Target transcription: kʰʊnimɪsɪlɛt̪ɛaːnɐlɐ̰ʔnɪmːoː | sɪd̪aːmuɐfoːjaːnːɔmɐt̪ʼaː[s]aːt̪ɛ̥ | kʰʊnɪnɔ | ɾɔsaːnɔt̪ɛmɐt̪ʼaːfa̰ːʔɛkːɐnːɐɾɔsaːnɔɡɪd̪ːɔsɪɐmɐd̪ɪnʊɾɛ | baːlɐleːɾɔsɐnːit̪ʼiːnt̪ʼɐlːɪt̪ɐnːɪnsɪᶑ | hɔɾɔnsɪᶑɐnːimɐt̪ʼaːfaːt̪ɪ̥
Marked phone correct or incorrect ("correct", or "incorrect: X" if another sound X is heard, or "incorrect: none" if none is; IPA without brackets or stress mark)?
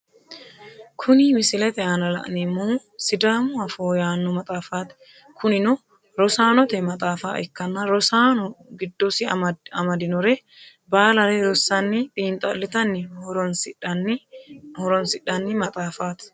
incorrect: f